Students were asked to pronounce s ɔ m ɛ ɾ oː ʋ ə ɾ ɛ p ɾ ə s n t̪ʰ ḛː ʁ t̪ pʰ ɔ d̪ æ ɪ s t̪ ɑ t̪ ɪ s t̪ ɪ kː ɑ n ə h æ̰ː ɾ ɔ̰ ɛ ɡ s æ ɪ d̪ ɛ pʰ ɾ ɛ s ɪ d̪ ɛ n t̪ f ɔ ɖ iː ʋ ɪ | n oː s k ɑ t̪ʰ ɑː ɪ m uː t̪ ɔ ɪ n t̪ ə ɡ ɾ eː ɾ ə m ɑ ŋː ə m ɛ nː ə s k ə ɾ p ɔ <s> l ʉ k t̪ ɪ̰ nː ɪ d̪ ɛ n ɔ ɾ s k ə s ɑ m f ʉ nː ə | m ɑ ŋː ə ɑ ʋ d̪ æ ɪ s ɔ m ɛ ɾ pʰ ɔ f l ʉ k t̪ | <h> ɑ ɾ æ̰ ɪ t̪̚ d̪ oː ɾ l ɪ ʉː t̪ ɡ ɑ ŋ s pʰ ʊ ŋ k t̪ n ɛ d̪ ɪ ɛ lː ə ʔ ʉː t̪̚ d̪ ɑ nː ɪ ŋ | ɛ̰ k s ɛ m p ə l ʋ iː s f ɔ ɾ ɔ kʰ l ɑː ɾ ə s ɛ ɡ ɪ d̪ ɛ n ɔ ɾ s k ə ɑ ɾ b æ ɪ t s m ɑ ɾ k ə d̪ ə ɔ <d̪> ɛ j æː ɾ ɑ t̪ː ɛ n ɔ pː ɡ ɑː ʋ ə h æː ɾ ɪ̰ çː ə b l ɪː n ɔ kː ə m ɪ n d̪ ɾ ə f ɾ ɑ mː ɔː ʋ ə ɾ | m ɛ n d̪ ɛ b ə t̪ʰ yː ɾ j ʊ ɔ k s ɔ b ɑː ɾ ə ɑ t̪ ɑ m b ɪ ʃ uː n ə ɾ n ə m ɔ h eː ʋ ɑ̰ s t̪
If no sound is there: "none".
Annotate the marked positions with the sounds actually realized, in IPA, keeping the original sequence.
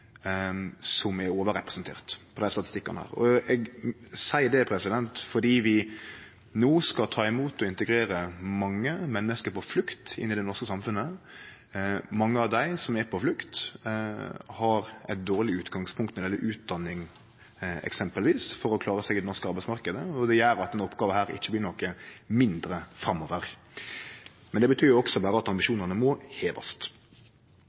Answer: f, h, d̪

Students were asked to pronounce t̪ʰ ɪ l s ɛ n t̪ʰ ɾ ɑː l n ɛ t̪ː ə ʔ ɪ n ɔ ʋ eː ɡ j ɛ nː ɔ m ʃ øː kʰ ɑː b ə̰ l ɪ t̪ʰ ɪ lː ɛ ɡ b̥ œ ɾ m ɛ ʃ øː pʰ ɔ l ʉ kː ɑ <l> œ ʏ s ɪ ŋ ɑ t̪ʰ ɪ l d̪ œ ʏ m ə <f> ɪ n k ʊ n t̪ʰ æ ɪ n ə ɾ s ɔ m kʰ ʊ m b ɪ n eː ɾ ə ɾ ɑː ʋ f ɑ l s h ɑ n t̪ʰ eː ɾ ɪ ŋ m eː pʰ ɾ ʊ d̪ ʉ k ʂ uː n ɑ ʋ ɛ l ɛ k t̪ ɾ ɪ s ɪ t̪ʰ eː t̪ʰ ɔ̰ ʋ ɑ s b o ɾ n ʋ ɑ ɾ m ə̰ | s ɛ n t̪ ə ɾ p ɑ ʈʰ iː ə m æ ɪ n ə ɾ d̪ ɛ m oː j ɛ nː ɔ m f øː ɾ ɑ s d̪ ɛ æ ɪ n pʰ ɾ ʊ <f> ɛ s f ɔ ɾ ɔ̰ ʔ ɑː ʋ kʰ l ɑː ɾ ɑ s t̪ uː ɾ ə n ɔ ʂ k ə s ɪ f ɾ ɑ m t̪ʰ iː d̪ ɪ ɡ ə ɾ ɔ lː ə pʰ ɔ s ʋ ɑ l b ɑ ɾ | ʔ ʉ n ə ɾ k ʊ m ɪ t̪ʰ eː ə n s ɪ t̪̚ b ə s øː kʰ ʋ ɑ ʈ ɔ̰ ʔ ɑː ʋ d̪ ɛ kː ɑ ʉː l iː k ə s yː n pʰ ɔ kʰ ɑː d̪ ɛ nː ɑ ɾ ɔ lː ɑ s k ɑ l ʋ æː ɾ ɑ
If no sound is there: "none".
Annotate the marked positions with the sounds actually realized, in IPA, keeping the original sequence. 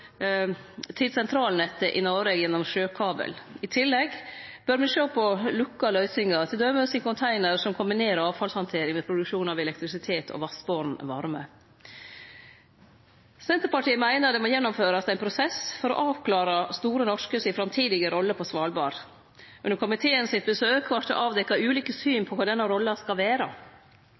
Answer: l, s, s

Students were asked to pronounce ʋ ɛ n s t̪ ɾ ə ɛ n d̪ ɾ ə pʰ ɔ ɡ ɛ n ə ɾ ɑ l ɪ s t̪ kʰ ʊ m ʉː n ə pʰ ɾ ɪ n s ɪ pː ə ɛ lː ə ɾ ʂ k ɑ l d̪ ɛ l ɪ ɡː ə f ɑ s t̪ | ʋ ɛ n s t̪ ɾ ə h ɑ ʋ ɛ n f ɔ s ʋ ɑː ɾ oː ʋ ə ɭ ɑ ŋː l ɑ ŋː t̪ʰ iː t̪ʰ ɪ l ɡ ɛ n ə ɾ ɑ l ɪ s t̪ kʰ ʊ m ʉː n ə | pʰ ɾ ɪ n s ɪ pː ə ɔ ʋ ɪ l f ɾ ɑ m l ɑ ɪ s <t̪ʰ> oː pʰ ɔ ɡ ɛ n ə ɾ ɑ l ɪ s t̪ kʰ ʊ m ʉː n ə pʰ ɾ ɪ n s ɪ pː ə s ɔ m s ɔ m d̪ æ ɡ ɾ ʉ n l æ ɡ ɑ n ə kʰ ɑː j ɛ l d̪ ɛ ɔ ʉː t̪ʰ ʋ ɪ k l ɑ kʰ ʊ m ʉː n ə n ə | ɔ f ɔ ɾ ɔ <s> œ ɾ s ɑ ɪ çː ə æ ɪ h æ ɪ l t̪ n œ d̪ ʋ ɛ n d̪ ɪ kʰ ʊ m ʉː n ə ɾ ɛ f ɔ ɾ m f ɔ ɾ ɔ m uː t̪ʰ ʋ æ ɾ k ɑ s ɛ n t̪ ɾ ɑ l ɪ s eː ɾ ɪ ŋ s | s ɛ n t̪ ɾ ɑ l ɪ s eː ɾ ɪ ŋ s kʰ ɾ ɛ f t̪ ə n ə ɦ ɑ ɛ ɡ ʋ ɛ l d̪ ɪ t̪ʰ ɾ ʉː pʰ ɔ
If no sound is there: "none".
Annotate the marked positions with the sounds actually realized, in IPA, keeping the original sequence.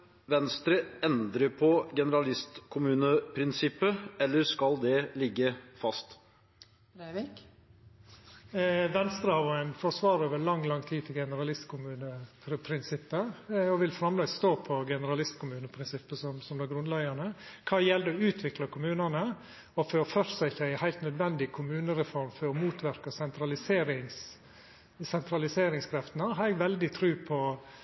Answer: t̪, f

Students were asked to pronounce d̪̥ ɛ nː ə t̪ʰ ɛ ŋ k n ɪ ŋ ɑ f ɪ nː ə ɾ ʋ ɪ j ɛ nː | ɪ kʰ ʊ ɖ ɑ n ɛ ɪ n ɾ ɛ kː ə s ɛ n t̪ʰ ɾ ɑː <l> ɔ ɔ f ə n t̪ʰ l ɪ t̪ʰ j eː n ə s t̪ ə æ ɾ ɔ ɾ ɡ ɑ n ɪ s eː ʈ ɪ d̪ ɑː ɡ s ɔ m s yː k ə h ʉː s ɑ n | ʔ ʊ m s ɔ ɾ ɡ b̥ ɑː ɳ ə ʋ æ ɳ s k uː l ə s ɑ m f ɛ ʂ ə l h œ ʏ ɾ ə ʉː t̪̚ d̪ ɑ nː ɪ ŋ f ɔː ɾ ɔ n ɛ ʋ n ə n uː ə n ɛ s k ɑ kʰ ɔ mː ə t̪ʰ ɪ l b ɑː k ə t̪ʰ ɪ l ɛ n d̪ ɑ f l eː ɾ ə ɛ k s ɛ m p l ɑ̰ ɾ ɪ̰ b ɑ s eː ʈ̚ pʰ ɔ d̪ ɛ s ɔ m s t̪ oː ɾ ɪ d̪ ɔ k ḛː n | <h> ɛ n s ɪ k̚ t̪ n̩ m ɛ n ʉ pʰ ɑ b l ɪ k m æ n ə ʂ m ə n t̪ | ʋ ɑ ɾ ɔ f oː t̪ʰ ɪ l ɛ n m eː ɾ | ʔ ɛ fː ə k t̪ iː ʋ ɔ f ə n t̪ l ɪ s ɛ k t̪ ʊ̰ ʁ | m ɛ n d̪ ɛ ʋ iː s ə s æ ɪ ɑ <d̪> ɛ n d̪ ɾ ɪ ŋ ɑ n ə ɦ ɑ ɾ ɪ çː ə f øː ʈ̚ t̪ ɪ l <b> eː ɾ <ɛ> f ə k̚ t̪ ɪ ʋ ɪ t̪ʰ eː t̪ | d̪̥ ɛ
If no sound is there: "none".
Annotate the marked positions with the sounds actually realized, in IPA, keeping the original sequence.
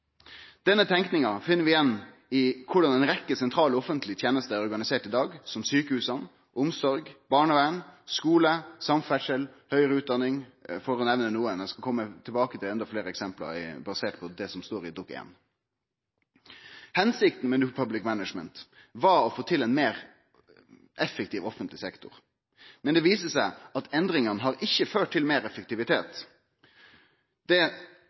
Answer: l, h, t̪, m, ɛ

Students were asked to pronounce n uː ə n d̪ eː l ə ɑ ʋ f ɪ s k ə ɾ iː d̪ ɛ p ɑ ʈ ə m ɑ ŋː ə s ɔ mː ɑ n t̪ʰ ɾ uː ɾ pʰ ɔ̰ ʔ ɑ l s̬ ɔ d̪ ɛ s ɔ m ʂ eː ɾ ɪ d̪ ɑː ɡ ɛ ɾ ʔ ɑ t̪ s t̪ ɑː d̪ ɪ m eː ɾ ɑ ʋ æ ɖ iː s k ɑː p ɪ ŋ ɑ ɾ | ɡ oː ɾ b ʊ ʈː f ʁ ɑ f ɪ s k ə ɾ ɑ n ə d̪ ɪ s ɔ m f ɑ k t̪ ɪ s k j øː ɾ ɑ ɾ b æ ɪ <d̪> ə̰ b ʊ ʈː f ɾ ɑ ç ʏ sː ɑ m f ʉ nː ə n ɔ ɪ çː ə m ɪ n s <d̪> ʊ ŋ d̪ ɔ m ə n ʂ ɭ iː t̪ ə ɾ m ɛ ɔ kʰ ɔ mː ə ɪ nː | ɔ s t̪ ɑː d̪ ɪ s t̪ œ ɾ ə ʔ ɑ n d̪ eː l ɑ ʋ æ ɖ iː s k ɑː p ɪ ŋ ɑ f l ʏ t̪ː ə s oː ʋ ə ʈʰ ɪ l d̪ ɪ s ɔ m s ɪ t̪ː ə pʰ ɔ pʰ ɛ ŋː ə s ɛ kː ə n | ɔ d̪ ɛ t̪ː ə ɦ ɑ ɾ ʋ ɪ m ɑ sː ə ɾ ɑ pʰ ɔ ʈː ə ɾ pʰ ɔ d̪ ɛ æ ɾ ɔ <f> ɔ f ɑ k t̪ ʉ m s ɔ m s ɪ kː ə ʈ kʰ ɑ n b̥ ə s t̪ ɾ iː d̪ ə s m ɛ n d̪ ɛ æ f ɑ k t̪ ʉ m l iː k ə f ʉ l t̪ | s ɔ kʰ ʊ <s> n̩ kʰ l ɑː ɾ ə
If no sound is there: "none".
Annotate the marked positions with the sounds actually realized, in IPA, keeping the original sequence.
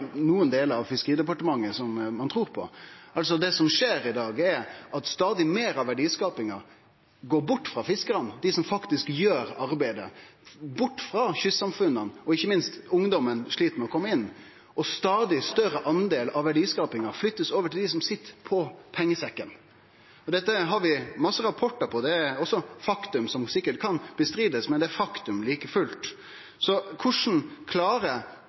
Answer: d̪, t̪, s, ʂ

